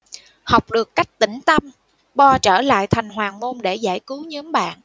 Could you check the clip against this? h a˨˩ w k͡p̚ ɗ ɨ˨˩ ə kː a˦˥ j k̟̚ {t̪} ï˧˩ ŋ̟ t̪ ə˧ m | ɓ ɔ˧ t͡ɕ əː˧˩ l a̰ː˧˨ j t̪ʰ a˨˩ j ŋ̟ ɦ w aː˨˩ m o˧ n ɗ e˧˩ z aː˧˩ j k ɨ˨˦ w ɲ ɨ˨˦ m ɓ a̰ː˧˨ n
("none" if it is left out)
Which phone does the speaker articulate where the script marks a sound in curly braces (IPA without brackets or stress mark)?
t̪